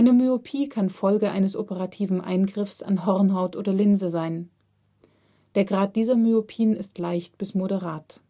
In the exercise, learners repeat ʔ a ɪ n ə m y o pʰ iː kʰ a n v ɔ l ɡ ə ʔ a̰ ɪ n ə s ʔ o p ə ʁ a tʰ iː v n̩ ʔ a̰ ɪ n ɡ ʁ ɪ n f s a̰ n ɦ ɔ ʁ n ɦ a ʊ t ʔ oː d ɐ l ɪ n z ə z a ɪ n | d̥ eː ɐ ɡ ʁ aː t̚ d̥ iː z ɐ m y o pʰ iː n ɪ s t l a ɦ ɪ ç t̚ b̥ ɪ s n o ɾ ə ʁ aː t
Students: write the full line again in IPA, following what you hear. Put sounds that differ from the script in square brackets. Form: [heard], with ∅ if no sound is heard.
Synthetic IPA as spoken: ʔ a ɪ n ə m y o pʰ iː kʰ a n [f] ɔ l ɡ ə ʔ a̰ ɪ n ə s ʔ o p ə ʁ a tʰ iː v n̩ ʔ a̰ ɪ n ɡ ʁ ɪ [∅] f s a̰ n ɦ ɔ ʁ n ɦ a ʊ t ʔ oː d ɐ l ɪ n z ə z a ɪ n | d̥ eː ɐ ɡ ʁ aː t̚ d̥ iː z ɐ m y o pʰ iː n ɪ s t l a [∅] ɪ ç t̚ b̥ ɪ s [m] o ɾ ə ʁ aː t

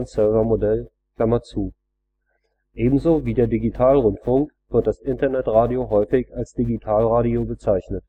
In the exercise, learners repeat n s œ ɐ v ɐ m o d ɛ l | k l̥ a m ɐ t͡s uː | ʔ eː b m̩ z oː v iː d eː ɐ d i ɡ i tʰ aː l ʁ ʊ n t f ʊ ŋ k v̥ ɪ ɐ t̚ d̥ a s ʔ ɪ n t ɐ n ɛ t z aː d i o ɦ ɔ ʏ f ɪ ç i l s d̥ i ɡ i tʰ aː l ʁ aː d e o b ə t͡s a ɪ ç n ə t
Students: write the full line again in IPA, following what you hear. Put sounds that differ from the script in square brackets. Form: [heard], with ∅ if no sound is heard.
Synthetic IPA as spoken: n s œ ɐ v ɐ m o d ɛ l | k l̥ a m ɐ t͡s uː | ʔ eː b m̩ z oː v iː d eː ɐ d i ɡ i tʰ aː l ʁ ʊ n t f ʊ ŋ k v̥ ɪ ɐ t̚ d̥ a s ʔ ɪ n t ɐ n ɛ t [ʁ] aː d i o ɦ ɔ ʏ f ɪ ç [a] l s d̥ i ɡ i tʰ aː l ʁ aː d [i] o b ə t͡s a ɪ ç n ə t

